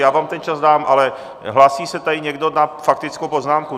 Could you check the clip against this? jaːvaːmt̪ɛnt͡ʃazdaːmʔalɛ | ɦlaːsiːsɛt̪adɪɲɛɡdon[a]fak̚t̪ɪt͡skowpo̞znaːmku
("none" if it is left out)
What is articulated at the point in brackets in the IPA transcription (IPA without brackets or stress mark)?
a